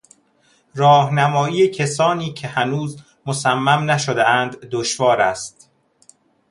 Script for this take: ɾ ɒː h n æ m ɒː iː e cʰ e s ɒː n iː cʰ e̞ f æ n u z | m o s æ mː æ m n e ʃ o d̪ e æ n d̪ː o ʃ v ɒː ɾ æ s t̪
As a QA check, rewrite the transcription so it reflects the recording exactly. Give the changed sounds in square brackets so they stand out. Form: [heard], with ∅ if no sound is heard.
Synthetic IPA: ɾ ɒː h n æ m ɒː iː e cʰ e s ɒː n iː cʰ e̞ [h] æ n [uː] z | m o s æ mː æ m n [æ] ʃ o d̪ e æ n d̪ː o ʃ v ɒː ɾ æ s t̪

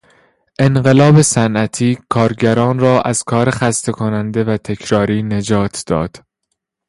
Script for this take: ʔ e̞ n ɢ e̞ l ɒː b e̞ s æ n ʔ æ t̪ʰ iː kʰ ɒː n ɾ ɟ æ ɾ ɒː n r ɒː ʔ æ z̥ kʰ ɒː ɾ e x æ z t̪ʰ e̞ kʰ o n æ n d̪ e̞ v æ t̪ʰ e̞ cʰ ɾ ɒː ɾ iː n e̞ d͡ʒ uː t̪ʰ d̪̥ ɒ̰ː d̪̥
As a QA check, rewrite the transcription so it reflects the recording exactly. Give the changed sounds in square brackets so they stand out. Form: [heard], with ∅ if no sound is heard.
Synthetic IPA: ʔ e̞ n ɢ e̞ l ɒː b e̞ s æ n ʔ æ t̪ʰ iː kʰ ɒː [∅] ɾ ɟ æ ɾ ɒː n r ɒː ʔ æ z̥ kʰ ɒː ɾ e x æ [s] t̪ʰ e̞ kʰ o n æ n d̪ e̞ v æ t̪ʰ e̞ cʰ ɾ ɒː ɾ iː n e̞ d͡ʒ [ɒː] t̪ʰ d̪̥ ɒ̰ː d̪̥

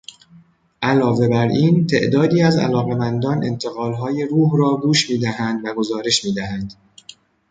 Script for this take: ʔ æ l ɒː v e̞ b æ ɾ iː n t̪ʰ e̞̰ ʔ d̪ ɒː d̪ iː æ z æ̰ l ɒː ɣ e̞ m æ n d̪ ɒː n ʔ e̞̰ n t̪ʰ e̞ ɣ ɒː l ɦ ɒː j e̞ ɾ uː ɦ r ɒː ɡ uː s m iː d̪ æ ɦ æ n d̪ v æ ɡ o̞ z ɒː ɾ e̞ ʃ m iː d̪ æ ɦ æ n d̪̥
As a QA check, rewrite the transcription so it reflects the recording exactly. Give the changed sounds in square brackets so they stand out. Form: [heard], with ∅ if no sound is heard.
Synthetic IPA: ʔ æ l ɒː v e̞ b æ ɾ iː n t̪ʰ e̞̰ ʔ d̪ ɒː d̪ iː æ z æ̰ l ɒː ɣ e̞ m æ n d̪ ɒː n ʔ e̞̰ n t̪ʰ e̞ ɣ ɒː l ɦ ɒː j e̞ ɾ uː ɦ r ɒː ɡ uː [ʃ] m iː d̪ æ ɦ æ n d̪ v æ ɡ o̞ z ɒː ɾ e̞ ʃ m iː d̪ æ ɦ æ n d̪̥

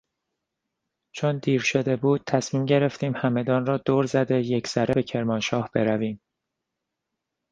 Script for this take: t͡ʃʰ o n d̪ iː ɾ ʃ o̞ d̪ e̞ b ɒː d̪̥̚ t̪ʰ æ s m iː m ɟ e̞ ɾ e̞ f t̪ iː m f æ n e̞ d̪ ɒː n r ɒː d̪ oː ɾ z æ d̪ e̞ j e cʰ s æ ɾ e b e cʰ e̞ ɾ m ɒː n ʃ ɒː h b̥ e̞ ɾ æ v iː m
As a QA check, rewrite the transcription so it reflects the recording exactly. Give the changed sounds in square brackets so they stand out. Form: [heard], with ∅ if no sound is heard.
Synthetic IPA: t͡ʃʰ o n d̪ iː ɾ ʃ o̞ d̪ e̞ b [uː] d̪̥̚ t̪ʰ æ s m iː m ɟ e̞ ɾ e̞ f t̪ iː m [h] æ [m] e̞ d̪ ɒː n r ɒː d̪ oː ɾ z æ d̪ e̞ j e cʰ s æ ɾ e b e cʰ e̞ ɾ m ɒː n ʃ ɒː h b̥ e̞ ɾ æ v iː m

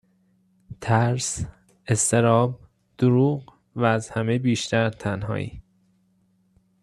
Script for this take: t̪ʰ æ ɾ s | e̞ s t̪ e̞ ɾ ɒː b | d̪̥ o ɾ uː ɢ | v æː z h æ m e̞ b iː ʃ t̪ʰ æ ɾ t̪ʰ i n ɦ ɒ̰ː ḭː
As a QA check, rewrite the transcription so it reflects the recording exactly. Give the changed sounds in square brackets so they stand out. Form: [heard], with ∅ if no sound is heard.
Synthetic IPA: t̪ʰ æ ɾ s | e̞ s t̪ e̞ ɾ ɒː b | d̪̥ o ɾ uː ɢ | v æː z h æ m e̞ b iː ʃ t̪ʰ æ ɾ t̪ʰ [æ] n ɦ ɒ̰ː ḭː

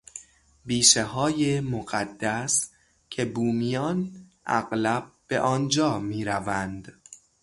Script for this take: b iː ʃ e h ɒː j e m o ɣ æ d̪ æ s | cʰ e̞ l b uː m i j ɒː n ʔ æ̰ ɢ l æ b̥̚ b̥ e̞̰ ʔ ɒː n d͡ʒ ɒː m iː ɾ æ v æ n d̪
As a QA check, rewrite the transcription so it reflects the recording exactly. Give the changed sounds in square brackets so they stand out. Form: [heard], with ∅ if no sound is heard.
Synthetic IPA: b iː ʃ e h ɒː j e m o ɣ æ [d̪ː] æ s | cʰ e̞ [∅] b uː m i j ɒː n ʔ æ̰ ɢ l æ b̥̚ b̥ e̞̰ ʔ ɒː n d͡ʒ ɒː m iː ɾ æ v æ n d̪

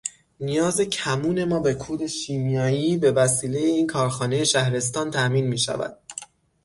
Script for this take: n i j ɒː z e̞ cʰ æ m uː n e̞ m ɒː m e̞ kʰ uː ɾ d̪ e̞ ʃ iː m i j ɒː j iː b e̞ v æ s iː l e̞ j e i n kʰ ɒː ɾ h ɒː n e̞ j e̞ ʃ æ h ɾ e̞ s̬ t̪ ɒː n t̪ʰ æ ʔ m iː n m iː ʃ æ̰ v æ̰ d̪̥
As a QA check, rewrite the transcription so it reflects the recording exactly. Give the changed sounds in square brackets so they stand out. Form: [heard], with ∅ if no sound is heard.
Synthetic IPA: n i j ɒː z e̞ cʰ æ m uː n e̞ m ɒː [b] e̞ kʰ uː [∅] d̪ e̞ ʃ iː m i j ɒː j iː b e̞ v æ s iː l e̞ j e [iː] n kʰ ɒː ɾ [x] ɒː n e̞ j e̞ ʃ æ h ɾ e̞ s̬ t̪ ɒː n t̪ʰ æ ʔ m iː n m iː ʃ æ̰ v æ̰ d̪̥

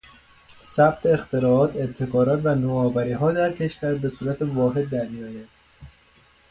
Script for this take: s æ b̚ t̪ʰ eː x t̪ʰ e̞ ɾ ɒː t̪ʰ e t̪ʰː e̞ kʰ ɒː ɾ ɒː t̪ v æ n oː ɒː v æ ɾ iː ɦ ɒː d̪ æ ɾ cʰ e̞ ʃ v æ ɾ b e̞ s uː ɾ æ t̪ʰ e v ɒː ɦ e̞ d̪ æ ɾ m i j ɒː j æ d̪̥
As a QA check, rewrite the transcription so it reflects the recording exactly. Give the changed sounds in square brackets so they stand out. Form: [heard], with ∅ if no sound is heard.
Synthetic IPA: s æ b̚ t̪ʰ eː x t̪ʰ e̞ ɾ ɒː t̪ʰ e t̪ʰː e̞ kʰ ɒː ɾ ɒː t̪ v æ n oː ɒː v æ ɾ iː ɦ ɒː d̪ æ ɾ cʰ e̞ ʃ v æ ɾ b e̞ s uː ɾ æ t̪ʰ e v ɒː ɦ e̞ [d̪ː] æ ɾ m i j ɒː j æ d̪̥

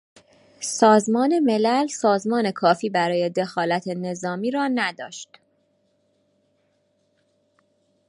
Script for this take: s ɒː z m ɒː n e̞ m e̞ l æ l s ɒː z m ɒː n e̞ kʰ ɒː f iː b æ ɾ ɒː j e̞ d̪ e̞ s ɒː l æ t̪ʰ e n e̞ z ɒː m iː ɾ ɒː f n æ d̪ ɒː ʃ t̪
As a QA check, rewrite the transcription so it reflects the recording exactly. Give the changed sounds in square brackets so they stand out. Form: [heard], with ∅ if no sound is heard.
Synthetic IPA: s ɒː z m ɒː n e̞ m e̞ l æ l s ɒː z m ɒː n e̞ kʰ ɒː f iː b æ ɾ ɒː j e̞ d̪ e̞ [x] ɒː l æ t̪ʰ e n e̞ z ɒː m iː ɾ ɒː [∅] n æ d̪ ɒː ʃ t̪

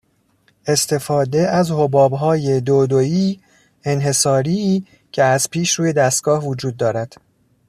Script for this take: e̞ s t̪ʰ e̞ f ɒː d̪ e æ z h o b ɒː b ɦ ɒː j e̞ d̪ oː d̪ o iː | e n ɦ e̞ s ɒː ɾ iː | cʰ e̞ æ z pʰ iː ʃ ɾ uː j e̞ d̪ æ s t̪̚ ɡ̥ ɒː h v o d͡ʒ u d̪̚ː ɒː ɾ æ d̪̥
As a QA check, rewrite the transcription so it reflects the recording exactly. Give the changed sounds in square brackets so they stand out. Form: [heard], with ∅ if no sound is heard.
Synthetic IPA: e̞ s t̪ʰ e̞ f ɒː d̪ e æ z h o b ɒː b ɦ ɒː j e̞ d̪ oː d̪ o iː | e n ɦ e̞ s ɒː ɾ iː | cʰ e̞ æ z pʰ iː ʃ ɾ uː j e̞ d̪ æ s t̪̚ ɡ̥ ɒː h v o d͡ʒ [uː] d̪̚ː ɒː ɾ æ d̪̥

